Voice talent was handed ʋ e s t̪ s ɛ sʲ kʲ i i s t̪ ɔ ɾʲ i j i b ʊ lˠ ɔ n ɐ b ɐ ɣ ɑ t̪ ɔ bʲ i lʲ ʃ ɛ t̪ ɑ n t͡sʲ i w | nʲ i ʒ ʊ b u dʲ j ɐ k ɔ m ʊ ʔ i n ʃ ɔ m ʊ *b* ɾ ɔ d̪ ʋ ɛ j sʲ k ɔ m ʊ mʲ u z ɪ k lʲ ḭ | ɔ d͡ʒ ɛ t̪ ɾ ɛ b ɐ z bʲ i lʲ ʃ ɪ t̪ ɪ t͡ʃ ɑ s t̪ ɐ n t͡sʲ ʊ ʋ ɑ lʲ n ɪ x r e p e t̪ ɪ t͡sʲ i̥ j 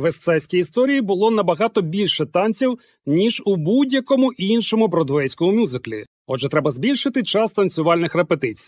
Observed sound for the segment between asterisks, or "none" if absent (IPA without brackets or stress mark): b